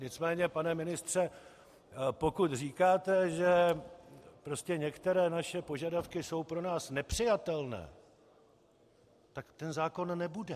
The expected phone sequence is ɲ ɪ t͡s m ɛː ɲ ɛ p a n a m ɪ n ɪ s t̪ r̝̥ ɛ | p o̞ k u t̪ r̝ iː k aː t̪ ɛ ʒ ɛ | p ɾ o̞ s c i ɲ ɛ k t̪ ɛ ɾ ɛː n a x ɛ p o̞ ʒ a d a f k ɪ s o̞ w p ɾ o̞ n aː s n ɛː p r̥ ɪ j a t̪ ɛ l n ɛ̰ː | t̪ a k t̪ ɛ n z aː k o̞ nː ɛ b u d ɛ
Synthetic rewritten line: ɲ ɪ t͡s m ɛː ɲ ɛ p a n ɛ m ɪ n ɪ s t̪ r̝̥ ɛ | p o̞ k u t̪ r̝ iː k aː t̪ ɛ ʒ ɛ | p ɾ o̞ s c ɛ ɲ ɛ k t̪ ɛ ɾ ɛː n a ʃ ɛ p o̞ ʒ a d a f k ɪ s o̞ w p ɾ o̞ n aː s n ɛ p r̥ ɪ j a t̪ ɛ l n ɛ̰ː | t̪ a k t̪ ɛ n z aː k o̞ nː ɛ b u d ɛ

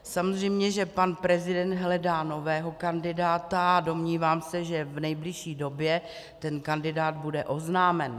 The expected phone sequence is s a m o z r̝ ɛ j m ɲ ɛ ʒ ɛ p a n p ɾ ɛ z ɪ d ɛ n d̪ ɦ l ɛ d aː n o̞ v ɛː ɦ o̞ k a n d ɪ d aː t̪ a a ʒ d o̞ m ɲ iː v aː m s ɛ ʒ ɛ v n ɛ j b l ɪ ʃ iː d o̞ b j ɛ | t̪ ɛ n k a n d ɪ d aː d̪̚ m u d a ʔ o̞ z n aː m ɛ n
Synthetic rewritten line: s a m o z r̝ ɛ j m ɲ ɛ ʒ ɛ p a n p ɾ ɛ z ɪ d ɛ n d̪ ɦ l ɛ d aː n o̞ v ɛː ɦ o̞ k a n d ɪ d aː t̪ a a d o̞ m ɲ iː v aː m s ɛ ʒ ɛ v n ɛ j b l ɪ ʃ iː d o̞ b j ɛ | t̪ ɛ n k a n d ɪ d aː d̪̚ b u d ɛ ʔ o̞ z n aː m ɛ n

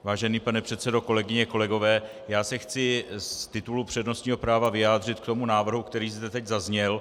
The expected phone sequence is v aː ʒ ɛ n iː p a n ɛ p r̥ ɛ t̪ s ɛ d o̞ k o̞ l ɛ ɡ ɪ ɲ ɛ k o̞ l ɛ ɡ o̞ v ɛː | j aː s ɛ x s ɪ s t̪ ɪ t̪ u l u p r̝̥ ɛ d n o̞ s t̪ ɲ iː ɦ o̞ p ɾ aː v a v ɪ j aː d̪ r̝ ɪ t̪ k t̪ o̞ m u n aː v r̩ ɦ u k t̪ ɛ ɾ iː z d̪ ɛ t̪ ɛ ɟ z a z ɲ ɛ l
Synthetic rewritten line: v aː ʒ ɛ n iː p a n ɛ p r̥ ɛ t̪ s ɛ d o̞ k o̞ l ɛ ɡ ɪ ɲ ɛ k o̞ l ɛ ɡ o̞ v ɛː | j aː s ɛ x t͡s ɪ s t̪ ɪ t̪ u l u p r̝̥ ɛ d n o̞ s t̪ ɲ iː ɦ o̞ p ɾ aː v a v ɪ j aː d̪ r̝ ɪ t̪ k t̪ o̞ m u n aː v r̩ ɦ u k t̪ ɛ ɾ iː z d̪ ɛ t̪ ɛ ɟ z a z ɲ ɛ l

